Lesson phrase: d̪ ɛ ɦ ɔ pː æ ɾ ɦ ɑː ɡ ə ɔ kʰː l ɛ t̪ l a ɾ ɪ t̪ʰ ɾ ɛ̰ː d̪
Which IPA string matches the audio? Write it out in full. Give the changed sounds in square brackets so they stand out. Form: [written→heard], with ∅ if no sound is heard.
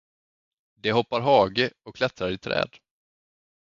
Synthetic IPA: d̪ ɛ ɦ ɔ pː [æ→a] ɾ ɦ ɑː ɡ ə ɔ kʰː l ɛ t̪ [l→ɾ] a ɾ ɪ t̪ʰ ɾ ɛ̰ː d̪